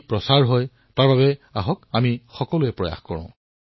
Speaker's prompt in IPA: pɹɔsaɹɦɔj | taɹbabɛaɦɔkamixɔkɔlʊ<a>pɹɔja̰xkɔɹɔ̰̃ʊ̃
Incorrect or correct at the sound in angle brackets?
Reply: incorrect: ɛ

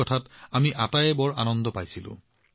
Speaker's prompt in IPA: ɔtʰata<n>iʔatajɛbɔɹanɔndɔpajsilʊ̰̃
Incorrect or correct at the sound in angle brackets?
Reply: incorrect: m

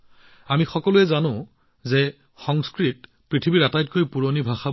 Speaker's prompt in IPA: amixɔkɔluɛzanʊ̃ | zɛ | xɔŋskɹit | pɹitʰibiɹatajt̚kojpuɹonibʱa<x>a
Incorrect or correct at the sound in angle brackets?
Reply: correct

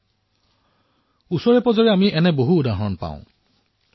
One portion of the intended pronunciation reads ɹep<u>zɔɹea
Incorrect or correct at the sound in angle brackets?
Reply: incorrect: ɔ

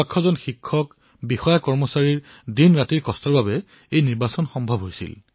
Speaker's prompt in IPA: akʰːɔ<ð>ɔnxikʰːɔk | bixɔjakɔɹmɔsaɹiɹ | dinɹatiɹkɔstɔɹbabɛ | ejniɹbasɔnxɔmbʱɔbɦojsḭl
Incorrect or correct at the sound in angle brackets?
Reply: incorrect: z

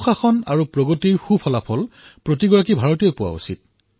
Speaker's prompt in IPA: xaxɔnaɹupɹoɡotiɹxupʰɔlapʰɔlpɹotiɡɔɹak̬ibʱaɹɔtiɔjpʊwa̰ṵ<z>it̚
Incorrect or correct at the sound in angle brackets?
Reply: incorrect: s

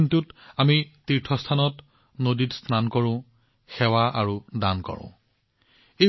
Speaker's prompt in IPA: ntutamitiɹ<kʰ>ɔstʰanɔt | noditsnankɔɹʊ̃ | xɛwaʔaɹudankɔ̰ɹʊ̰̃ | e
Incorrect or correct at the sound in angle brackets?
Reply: incorrect: tʰ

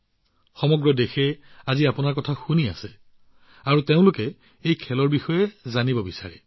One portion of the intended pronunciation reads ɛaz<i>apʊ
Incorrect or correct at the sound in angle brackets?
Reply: correct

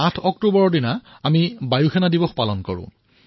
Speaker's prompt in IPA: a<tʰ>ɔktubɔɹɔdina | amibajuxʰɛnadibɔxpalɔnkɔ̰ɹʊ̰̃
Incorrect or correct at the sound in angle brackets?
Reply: correct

